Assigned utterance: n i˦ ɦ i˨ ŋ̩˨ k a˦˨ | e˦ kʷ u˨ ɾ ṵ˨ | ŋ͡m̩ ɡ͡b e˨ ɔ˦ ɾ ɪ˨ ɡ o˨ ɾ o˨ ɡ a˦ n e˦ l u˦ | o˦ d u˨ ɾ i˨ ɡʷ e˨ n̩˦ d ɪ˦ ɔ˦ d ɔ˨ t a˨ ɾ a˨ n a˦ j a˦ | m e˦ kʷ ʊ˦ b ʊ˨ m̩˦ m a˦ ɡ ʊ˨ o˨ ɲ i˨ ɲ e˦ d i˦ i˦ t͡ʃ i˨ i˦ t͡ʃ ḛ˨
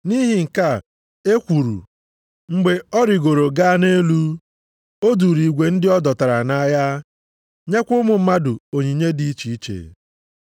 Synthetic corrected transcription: n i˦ ɦ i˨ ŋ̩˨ k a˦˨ | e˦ kʷ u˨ ɾ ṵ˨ | ŋ͡m̩ ɡ͡b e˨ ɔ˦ ɾ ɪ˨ ɡ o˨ ɾ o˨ ɡ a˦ n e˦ l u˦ | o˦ d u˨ ɾ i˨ ɡʷ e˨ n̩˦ d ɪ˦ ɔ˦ d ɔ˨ t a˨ ɾ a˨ n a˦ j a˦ | ɲ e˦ kʷ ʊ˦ m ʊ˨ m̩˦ m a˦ d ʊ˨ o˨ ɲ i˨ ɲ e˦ d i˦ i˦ t͡ʃ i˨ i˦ t͡ʃ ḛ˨